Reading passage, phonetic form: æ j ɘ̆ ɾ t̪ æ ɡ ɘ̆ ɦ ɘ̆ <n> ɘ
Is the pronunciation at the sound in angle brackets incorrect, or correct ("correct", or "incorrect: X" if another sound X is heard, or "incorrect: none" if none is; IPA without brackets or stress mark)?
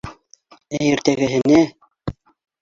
correct